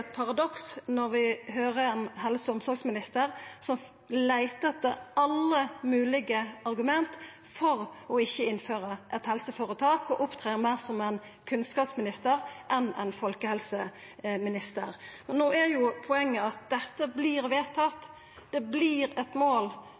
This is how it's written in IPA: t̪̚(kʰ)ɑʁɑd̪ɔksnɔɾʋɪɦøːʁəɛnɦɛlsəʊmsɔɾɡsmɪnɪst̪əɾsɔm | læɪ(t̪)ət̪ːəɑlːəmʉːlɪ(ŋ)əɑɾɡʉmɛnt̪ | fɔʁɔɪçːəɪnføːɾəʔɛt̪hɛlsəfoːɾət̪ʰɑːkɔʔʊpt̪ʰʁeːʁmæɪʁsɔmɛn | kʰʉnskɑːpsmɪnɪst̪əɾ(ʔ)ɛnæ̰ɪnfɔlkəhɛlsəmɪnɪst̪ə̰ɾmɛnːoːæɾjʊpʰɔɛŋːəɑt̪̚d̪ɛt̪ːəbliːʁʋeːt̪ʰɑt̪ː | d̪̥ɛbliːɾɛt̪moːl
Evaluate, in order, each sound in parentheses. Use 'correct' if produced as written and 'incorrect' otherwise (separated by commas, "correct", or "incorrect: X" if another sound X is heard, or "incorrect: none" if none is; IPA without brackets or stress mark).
incorrect: pʰ, correct, incorrect: ɡ, correct